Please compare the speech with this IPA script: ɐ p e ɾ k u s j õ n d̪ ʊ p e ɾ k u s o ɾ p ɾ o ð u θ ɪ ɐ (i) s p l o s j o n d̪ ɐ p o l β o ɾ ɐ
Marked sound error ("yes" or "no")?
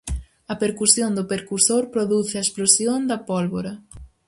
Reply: yes